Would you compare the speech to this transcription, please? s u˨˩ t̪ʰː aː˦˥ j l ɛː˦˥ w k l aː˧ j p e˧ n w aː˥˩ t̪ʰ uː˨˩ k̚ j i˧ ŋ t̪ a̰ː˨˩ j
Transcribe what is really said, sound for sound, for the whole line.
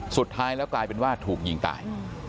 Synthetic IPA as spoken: s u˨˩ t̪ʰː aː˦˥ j l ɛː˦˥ w k l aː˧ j p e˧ n w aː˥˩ t̪ʰ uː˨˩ k̚ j i˧ ŋ t̪ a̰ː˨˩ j

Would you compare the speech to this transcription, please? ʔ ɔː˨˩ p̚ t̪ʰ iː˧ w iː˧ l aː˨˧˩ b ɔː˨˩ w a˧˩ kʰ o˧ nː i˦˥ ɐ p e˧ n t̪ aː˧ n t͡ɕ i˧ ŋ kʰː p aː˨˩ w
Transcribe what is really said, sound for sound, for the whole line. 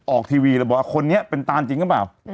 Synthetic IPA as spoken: ʔ ɔː˨˩ k̚ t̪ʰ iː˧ w iː˧ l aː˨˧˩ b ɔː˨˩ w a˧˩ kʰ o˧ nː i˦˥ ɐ p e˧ n t̪ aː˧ n t͡ɕ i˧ ŋ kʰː p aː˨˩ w

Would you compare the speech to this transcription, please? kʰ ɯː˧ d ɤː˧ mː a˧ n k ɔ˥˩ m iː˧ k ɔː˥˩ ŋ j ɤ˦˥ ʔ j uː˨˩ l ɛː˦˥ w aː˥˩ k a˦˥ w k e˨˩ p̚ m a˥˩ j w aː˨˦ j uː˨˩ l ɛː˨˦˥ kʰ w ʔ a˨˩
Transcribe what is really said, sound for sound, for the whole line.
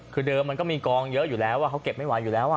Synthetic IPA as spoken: kʰ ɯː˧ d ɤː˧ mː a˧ n k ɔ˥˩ m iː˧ k ɔː˧ ŋ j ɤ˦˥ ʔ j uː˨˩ l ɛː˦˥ w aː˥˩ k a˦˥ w k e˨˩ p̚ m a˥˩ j w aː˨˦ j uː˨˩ l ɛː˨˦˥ w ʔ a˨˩

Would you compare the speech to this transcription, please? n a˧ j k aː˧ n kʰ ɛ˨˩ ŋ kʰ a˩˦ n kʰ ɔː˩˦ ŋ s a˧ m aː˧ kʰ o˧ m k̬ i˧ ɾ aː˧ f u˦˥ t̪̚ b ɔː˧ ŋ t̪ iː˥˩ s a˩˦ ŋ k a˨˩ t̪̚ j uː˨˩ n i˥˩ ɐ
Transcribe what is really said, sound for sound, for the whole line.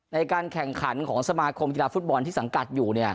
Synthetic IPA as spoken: n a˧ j k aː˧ n kʰ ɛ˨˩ ŋ kʰ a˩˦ n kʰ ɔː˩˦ ŋ s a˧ m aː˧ kʰ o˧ m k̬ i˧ l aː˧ f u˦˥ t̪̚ b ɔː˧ n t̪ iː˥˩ s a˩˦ ŋ k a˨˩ t̪̚ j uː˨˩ n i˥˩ ɐ

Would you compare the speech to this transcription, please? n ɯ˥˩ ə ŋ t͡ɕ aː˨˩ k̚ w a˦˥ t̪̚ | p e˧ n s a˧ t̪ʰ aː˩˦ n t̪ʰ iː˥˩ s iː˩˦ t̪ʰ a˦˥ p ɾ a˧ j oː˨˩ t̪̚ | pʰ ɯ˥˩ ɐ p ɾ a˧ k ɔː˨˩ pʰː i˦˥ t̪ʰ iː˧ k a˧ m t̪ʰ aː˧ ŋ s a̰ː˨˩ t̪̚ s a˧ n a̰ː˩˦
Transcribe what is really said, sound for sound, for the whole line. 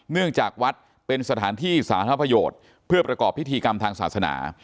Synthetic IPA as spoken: n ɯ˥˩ ə ŋ t͡ɕ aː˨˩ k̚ w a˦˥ t̪̚ | p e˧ n s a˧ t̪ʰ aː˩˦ n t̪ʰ iː˥˩ s aː˩˦ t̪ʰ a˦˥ p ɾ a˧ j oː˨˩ t̪̚ | pʰ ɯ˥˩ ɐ p ɾ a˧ k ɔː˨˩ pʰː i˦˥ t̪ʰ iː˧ k a˧ m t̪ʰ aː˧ ŋ s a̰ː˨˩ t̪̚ s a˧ n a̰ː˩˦

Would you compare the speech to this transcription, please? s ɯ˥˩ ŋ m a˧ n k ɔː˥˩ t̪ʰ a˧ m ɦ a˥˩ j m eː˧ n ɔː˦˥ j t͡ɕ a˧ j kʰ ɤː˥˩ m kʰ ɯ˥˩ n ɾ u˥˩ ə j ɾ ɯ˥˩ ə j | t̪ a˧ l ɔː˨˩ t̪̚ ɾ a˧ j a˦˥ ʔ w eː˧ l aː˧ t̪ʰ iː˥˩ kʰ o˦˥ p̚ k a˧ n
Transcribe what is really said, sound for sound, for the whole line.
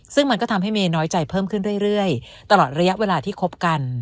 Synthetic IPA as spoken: s ɯ˥˩ ŋ m a˧ n k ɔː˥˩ t̪ʰ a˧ m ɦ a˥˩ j m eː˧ n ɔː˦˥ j t͡ɕ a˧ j pʰ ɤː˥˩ m kʰ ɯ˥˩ n ɾ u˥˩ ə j ɾ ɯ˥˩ ə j | t̪ a˧ l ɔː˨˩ t̪̚ ɾ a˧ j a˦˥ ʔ w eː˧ l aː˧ t̪ʰ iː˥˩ kʰ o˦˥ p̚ k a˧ n

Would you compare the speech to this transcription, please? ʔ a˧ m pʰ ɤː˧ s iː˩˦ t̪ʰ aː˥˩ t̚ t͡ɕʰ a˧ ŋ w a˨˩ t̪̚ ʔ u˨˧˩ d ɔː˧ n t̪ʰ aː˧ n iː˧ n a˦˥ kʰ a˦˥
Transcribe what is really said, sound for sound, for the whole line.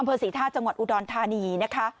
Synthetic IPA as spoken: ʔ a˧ m pʰ ɤː˧ s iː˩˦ t̪ʰ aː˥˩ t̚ t͡ɕ a˧ ŋ w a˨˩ t̪̚ ʔ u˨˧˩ d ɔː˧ n t̪ʰ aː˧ n iː˧ n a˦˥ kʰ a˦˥

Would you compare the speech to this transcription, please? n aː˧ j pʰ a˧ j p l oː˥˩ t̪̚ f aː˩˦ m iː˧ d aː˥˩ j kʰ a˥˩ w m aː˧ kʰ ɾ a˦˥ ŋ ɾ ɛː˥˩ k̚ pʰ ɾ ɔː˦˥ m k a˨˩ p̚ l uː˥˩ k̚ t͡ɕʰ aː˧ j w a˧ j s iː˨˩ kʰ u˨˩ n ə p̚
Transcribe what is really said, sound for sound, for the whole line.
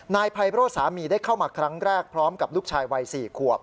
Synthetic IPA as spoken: n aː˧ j pʰ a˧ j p ɾ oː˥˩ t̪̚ s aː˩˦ m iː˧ d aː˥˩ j kʰ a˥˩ w m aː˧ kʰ ɾ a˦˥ ŋ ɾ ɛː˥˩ k̚ pʰ ɾ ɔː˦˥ m k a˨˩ p̚ l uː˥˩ k̚ t͡ɕʰ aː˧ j w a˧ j s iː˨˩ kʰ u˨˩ ə p̚

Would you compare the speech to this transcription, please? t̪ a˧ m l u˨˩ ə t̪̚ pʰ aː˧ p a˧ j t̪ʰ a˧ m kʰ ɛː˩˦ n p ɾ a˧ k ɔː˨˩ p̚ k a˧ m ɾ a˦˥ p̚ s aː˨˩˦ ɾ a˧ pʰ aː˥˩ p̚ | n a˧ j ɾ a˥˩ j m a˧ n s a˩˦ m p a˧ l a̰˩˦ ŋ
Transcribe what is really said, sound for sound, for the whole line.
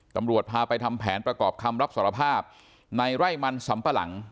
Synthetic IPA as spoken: t̪ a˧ m ɾ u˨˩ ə t̪̚ pʰ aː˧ p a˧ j t̪ʰ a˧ m pʰ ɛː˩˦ n p ɾ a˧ k ɔː˨˩ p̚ kʰ a˧ m ɾ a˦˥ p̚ s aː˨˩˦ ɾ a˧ pʰ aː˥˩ p̚ | n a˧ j ɾ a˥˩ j m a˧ n s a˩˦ m p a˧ l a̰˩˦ ŋ

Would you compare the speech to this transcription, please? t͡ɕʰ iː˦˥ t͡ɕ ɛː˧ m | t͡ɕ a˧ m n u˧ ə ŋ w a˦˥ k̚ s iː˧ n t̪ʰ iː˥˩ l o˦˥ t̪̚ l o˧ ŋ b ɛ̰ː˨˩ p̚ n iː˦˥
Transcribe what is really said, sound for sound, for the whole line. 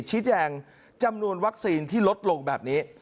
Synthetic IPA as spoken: t͡ɕʰ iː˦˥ t͡ɕ ɛː˧ ŋ | t͡ɕ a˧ m n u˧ ə n w a˦˥ k̚ s iː˧ n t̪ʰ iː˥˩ l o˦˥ t̪̚ l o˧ ŋ b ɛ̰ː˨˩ p̚ n iː˦˥

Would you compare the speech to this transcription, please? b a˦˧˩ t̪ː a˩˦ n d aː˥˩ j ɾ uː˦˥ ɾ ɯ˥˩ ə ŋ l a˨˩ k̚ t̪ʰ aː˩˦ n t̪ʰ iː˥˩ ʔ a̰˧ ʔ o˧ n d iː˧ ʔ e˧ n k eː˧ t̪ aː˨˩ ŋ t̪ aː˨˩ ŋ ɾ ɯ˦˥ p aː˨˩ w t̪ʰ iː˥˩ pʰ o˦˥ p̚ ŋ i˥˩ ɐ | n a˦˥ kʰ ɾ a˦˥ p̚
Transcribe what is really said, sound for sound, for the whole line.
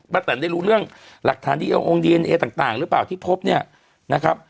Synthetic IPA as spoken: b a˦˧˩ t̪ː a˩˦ n d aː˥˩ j ɾ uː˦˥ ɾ ɯ˥˩ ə ŋ l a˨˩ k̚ t̪ʰ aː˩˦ n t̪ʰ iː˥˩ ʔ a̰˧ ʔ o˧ ŋ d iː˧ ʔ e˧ n ʔ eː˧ t̪ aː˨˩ ŋ t̪ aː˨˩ ŋ ɾ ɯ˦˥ p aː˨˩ w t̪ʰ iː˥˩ pʰ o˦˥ p̚ n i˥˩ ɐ | n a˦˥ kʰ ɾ a˦˥ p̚

